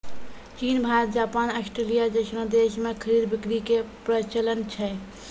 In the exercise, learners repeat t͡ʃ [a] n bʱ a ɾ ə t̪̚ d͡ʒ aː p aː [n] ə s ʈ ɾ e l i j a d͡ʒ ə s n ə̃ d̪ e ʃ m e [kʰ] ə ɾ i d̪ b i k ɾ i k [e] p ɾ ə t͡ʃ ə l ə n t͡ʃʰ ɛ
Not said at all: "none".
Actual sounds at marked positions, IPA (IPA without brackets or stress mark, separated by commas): i, n, kʰ, e